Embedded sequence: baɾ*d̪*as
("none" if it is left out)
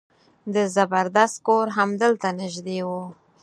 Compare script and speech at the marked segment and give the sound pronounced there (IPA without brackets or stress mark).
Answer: d̪